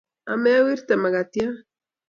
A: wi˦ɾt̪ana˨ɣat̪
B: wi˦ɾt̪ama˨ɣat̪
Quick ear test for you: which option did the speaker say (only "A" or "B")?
B